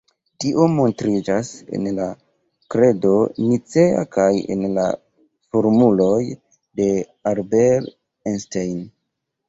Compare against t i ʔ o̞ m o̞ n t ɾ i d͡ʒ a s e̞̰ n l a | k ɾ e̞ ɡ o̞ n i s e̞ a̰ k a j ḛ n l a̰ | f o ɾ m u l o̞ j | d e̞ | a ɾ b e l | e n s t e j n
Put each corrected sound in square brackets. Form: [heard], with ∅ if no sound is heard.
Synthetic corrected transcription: t i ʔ o̞ m o̞ n t ɾ i d͡ʒ a s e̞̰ n l a | k ɾ e̞ [d] o̞ n i [t͡s] e̞ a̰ k a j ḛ n l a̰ | f o ɾ m u l o̞ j | d e̞ | a ɾ b e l | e n s t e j n